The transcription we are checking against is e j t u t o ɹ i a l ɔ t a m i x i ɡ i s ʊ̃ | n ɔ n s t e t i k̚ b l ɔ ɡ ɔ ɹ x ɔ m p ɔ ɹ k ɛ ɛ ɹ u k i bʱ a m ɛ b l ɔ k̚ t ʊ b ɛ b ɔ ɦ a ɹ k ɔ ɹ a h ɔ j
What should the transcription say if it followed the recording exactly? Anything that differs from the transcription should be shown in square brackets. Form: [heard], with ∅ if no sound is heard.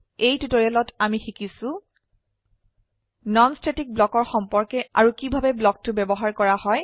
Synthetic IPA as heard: e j t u t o ɹ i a l ɔ t a m i x i [k] i s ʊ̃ | n ɔ n s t e t i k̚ b l ɔ [k] ɔ ɹ x ɔ m p ɔ ɹ k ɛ [a] ɹ u k i bʱ a [b] ɛ b l ɔ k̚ t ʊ b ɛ b ɔ ɦ a ɹ k ɔ ɹ a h ɔ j